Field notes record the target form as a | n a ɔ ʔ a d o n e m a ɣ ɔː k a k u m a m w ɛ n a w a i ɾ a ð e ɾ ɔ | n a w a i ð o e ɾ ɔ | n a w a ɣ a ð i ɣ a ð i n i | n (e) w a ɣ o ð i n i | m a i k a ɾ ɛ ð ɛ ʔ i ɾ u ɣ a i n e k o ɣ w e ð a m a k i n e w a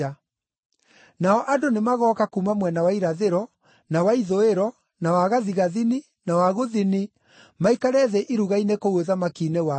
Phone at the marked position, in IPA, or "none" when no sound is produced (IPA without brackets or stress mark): a